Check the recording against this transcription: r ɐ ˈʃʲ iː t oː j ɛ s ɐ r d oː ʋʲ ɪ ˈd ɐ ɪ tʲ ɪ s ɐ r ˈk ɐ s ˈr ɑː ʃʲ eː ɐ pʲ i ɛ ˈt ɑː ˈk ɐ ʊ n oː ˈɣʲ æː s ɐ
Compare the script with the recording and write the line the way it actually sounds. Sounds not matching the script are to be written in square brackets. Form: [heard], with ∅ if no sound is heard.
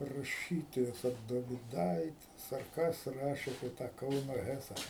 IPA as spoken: r ɐ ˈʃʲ iː t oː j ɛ s ɐ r d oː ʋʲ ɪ ˈd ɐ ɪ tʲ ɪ s ɐ r ˈk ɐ s ˈr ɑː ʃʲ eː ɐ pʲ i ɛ ˈt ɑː ˈk ɐ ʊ n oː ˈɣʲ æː s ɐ